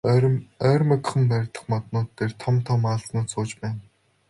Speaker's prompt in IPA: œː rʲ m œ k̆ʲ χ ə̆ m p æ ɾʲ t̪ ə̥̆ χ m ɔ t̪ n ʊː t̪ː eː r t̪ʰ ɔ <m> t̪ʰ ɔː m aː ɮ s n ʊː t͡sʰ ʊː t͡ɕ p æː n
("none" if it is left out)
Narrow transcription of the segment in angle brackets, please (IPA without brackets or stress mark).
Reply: m